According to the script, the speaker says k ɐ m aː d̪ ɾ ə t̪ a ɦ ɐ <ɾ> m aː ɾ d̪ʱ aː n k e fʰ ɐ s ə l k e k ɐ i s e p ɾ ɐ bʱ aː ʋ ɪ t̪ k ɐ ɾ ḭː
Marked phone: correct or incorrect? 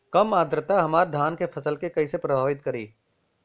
incorrect: none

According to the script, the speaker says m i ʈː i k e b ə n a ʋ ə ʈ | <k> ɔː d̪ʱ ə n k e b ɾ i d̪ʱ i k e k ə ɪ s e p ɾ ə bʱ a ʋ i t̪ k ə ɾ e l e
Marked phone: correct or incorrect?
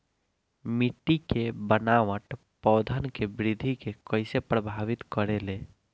incorrect: p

